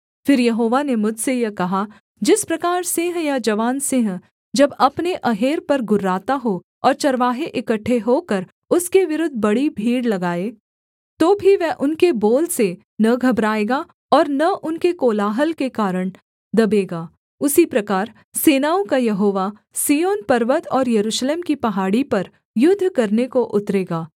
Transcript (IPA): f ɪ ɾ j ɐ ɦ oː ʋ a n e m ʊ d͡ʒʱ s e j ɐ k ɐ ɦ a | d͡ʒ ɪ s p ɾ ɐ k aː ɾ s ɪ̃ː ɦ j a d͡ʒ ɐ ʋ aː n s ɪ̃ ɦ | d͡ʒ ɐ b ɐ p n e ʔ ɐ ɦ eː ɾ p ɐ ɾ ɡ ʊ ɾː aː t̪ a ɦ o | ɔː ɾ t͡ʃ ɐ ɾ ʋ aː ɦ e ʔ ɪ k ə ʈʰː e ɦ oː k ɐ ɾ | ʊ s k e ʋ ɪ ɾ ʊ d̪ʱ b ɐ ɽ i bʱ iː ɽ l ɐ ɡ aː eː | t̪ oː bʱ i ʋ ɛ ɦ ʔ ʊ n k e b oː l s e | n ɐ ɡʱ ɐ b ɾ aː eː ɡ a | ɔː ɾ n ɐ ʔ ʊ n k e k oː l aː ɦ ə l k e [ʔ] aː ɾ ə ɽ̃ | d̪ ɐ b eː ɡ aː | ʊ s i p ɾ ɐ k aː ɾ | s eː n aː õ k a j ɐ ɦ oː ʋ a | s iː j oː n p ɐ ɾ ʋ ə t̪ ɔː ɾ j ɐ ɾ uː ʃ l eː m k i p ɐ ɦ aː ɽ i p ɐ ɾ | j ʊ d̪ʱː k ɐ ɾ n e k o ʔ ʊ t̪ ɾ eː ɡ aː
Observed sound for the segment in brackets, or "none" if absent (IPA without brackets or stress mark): k